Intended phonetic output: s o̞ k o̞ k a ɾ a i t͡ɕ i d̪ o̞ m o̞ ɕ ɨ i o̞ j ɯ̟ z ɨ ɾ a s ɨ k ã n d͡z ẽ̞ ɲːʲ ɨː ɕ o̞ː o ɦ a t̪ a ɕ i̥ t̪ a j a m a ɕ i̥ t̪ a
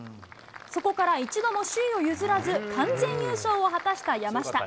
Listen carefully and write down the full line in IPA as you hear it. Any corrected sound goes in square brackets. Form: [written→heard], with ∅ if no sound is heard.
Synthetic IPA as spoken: s o̞ k o̞ k a ɾ a i t͡ɕ i d̪ o̞ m o̞ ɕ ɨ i o̞ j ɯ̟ z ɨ ɾ a [s→z] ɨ k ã n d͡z ẽ̞ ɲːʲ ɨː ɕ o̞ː o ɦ a t̪ a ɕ i̥ t̪ a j a m a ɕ i̥ t̪ a